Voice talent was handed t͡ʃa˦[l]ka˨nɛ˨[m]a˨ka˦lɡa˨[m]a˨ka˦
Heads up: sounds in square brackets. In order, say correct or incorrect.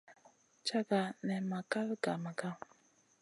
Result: incorrect, correct, correct

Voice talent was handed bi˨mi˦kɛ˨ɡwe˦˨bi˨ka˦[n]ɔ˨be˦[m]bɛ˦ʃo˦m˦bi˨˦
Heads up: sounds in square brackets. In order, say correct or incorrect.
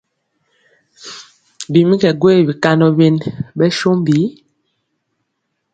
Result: correct, incorrect

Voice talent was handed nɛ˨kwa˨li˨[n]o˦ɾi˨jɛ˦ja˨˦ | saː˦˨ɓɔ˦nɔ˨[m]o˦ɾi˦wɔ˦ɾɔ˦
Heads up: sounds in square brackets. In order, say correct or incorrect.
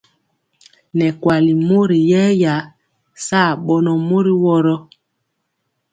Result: incorrect, correct

